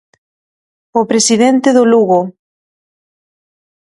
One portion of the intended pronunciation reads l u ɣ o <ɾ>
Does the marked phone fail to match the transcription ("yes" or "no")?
yes